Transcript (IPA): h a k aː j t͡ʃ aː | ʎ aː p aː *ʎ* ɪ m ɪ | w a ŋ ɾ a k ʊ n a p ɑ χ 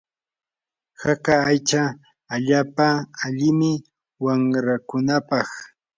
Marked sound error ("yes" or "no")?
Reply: no